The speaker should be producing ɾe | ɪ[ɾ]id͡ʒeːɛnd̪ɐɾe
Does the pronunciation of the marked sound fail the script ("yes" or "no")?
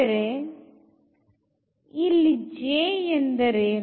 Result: yes